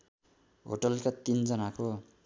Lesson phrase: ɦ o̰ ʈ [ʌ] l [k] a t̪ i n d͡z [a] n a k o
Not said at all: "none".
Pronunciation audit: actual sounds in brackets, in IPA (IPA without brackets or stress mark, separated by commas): ʌ, k, ʌ